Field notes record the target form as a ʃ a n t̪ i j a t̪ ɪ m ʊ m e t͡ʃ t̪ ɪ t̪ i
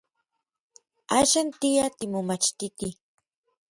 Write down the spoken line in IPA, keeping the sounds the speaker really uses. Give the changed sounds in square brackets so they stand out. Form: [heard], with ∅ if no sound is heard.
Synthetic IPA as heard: a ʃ a n t̪ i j a t̪ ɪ m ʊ m [a] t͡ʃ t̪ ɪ t̪ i